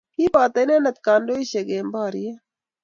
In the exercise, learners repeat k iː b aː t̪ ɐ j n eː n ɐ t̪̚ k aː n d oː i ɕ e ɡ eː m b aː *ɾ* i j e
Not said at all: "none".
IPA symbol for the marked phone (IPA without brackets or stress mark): ɾ